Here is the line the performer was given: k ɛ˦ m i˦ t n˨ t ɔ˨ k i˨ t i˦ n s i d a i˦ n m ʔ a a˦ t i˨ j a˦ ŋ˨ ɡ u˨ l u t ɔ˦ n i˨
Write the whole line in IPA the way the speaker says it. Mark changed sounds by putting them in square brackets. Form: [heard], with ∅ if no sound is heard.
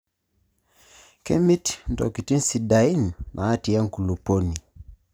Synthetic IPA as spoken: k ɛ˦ m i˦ t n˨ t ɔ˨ k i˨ t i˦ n s i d a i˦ n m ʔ a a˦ t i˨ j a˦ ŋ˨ [k] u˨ l u [p] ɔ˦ n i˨